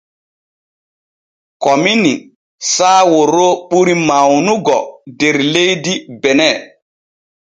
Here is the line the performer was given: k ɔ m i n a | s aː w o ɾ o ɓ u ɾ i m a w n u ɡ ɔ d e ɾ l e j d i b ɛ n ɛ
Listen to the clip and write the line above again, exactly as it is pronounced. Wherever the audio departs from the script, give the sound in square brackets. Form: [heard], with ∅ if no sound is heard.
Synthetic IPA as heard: k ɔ m i n [i] | s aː w o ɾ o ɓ u ɾ i m a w n u ɡ ɔ d e ɾ l e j d i b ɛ n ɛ